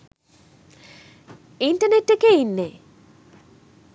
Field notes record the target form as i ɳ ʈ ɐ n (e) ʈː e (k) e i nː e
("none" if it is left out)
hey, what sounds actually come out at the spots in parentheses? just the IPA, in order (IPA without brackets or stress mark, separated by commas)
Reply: e, k